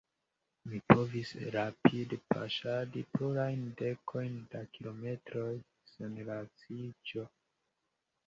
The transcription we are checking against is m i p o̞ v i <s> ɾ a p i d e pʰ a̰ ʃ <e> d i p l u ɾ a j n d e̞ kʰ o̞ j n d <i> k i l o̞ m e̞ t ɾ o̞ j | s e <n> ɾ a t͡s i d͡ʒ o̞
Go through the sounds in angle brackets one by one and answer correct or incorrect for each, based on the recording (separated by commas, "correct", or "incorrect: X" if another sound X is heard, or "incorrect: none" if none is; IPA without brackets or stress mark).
correct, incorrect: a, incorrect: a, correct